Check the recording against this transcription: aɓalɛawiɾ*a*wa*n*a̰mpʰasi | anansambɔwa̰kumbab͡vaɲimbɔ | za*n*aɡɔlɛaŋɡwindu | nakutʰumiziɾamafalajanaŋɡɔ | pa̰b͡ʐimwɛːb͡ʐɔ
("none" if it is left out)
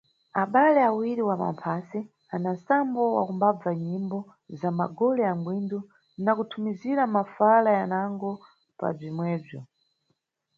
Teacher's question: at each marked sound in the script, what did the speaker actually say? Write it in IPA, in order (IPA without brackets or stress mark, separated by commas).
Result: i, m, m